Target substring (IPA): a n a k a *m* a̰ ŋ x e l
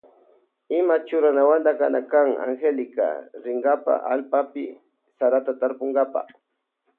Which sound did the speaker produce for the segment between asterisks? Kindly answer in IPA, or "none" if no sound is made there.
ŋ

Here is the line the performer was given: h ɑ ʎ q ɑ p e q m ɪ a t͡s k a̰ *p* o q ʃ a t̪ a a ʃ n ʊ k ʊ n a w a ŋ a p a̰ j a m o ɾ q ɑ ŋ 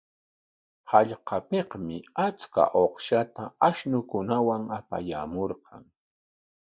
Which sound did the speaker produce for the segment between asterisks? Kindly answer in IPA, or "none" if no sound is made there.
ʔ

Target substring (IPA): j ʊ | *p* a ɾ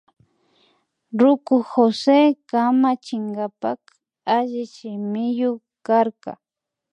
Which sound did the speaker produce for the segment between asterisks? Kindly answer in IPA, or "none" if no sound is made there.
k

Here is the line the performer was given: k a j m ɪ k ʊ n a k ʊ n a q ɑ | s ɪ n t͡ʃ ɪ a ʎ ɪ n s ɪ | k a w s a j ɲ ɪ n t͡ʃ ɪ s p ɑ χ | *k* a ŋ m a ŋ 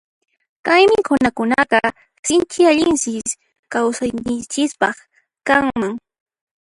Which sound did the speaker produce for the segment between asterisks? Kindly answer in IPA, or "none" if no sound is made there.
k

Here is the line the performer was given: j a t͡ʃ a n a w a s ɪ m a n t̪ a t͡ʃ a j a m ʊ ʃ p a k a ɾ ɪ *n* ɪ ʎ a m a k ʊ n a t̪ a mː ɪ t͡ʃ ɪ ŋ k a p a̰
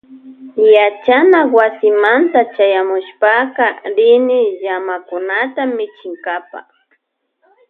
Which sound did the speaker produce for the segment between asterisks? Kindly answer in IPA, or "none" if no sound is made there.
n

